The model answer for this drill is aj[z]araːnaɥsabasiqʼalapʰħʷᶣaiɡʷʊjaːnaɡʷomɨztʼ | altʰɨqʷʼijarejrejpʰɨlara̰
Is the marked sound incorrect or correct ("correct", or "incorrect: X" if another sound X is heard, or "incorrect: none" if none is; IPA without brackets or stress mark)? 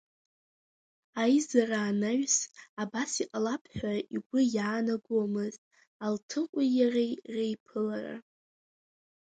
correct